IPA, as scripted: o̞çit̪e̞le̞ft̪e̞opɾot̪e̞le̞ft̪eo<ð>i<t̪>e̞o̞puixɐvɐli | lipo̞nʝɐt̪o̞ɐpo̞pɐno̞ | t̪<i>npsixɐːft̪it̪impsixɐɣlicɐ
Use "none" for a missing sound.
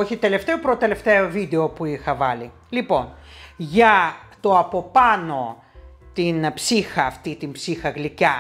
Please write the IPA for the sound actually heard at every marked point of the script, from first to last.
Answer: v, d̪, i

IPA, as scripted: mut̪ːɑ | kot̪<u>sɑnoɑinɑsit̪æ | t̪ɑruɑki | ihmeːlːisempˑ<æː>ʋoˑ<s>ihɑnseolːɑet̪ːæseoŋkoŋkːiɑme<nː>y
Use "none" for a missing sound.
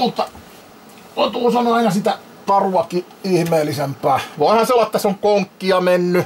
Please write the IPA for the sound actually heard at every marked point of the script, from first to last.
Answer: uː, æː, none, nː

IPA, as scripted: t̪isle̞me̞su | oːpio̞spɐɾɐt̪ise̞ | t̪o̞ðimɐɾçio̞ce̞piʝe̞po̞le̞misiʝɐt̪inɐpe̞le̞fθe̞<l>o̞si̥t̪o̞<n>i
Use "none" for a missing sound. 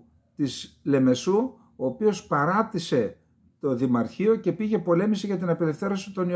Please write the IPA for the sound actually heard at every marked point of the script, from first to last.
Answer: ɾ, n

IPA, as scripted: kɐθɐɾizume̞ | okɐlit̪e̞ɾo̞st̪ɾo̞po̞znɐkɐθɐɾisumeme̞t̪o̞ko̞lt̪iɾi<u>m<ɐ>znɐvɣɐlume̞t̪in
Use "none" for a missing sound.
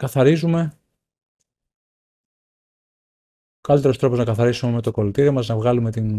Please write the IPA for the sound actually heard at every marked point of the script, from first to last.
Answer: o, ɐ

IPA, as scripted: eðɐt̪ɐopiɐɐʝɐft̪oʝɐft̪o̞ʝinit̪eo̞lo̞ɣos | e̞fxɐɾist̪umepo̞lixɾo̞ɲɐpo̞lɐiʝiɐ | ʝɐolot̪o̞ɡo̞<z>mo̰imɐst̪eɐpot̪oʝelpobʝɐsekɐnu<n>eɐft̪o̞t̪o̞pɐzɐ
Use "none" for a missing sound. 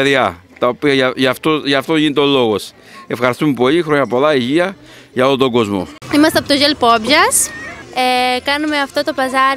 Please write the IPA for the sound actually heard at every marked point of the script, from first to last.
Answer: z, m

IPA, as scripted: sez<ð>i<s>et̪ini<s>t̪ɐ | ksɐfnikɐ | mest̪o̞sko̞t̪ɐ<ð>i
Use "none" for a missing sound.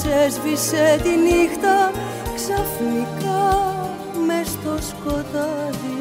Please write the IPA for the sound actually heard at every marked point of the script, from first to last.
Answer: v, s, x, ð

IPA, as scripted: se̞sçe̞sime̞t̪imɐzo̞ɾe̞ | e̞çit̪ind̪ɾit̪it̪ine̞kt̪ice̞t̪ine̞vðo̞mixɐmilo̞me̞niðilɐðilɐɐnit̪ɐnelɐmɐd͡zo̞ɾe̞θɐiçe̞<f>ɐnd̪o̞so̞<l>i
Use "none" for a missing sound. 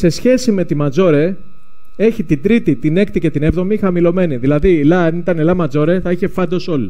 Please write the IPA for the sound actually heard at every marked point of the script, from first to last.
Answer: f, l

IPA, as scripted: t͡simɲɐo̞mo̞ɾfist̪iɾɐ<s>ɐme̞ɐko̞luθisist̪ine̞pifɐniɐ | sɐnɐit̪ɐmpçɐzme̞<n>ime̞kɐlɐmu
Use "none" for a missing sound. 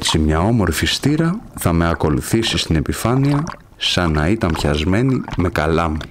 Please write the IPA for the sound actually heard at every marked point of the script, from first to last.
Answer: θ, n

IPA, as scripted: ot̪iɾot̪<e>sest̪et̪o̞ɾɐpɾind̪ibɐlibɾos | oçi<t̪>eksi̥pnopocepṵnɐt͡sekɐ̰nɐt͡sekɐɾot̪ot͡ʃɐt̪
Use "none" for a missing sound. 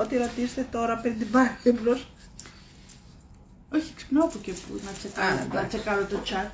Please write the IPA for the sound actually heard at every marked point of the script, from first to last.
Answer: i, none

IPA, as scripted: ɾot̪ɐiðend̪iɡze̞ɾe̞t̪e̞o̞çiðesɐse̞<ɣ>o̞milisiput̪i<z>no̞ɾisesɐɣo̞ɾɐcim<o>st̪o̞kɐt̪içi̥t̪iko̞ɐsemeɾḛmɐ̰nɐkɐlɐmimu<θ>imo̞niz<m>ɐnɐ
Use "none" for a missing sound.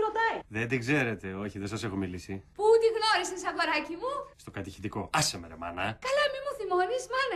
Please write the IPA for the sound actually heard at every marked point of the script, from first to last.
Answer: x, ɣ, u, θ, m

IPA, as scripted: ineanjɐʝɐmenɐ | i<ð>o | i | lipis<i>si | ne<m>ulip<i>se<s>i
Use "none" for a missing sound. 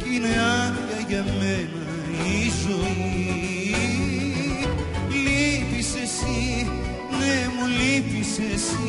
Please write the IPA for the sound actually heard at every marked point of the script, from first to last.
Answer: z, e, m, i, s

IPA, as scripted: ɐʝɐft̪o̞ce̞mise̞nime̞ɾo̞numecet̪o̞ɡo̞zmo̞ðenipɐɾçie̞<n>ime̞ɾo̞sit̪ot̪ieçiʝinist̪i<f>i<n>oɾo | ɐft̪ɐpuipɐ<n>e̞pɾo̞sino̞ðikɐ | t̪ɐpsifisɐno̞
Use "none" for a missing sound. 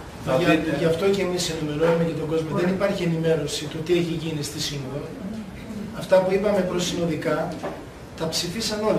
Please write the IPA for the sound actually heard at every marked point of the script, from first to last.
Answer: n, s, n, m

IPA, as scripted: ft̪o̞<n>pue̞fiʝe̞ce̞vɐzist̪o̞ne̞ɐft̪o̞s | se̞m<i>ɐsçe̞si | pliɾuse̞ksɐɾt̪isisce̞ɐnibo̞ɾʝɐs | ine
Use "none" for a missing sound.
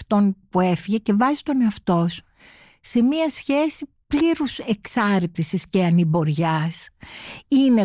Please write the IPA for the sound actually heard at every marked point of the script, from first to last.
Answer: n, i

